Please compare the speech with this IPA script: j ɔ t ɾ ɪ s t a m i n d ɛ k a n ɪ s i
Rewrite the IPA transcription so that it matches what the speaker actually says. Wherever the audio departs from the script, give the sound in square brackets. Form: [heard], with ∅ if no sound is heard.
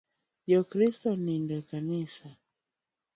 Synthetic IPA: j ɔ [k] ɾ [i] s t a [n] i n d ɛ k a n [i] s [a]